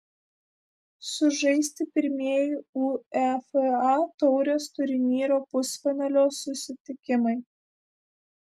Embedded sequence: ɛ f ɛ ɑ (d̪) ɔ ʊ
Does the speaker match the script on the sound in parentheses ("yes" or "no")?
no